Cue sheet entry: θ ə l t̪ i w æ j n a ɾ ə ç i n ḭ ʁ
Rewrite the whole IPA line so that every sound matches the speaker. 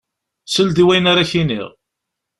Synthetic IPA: s ə l d̪ i w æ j n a ɾ a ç i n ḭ ʁ